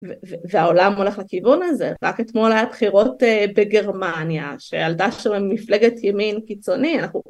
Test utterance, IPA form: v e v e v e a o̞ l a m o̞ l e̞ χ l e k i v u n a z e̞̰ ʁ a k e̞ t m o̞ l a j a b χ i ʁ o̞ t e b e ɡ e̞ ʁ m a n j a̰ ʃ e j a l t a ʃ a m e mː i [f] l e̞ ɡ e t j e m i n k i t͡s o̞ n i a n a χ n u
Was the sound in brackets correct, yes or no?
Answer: yes